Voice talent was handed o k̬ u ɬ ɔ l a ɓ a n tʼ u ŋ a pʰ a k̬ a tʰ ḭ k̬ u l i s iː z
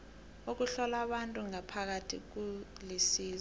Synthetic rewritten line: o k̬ u ɬ ɔ l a ɓ a n tʼ u ŋ a pʰ a k̬ a tʰ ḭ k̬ u l i s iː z